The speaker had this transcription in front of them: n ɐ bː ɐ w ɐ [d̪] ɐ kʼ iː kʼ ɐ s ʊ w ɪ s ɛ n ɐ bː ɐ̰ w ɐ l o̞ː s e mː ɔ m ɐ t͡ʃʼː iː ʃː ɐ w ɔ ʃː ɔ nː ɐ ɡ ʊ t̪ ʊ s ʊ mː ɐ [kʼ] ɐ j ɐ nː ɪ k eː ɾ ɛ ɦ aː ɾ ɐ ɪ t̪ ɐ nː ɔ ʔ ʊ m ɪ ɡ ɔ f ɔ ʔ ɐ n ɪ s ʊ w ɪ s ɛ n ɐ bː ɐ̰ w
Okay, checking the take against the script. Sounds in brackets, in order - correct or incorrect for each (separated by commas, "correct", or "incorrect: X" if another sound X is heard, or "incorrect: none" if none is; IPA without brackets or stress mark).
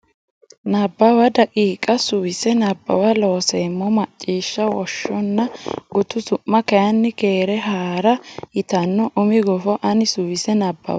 correct, incorrect: k